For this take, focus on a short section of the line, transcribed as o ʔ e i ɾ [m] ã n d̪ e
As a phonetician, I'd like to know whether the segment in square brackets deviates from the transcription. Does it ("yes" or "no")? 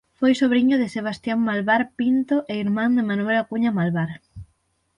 no